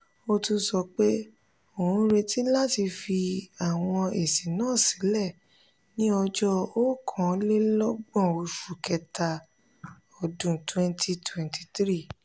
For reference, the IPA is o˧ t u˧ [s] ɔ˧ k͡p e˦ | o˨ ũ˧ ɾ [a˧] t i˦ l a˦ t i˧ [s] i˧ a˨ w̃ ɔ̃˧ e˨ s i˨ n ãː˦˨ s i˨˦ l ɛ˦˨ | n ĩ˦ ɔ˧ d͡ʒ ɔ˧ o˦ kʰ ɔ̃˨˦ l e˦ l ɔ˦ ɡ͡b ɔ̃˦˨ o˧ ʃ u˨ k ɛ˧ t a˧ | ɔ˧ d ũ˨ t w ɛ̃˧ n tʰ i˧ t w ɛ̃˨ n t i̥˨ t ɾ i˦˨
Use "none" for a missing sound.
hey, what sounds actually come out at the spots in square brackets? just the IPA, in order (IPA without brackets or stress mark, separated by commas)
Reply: s, e˧, f